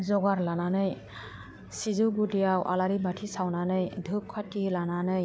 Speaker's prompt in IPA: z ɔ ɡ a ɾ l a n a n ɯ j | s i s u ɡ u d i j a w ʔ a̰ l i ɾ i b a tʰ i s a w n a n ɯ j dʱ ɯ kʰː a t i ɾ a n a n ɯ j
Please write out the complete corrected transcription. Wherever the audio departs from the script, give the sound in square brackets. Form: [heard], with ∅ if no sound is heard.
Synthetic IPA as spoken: z ɔ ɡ a ɾ l a n a n ɯ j | s i [z] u ɡ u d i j a w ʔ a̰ l [a] ɾ i b a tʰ i s a w n a n ɯ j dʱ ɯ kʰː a t i [l] a n a n ɯ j